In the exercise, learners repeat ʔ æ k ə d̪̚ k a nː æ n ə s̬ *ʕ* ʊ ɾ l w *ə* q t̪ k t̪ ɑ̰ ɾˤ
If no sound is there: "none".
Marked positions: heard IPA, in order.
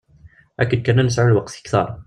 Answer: ʕ, ɑ

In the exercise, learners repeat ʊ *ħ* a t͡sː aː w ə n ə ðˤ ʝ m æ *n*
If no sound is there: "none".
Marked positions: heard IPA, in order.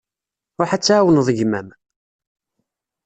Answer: ħ, m

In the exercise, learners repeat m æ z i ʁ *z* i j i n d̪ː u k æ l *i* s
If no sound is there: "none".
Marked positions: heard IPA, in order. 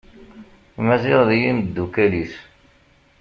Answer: ð, i

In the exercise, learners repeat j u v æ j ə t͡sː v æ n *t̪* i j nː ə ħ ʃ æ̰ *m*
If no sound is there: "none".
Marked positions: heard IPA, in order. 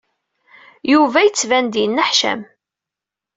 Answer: d̪, m

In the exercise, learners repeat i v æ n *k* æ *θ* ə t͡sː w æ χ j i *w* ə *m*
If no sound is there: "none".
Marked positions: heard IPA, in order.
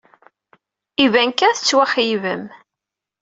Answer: k, θ, v, m

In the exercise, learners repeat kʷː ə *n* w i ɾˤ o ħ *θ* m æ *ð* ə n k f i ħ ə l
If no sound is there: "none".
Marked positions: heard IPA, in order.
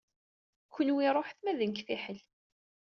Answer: n, θ, ð

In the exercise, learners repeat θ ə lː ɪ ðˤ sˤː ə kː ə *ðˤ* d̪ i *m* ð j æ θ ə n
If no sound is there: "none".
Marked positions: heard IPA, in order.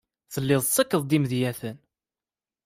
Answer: ðˤ, m

